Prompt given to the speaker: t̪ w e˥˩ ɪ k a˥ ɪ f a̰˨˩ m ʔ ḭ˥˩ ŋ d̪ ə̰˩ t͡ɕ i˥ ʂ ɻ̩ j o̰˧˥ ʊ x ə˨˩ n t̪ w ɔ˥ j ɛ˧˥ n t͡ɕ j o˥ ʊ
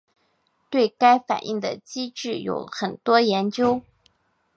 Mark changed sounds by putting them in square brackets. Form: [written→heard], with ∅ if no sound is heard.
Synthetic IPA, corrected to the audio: t̪ w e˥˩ ɪ k a˥ ɪ f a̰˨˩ [m→n] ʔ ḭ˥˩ ŋ d̪ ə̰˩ t͡ɕ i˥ [ʂ→ʈ͡ʂ] ɻ̩ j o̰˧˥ ʊ x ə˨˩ n t̪ w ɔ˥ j ɛ˧˥ n t͡ɕ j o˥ ʊ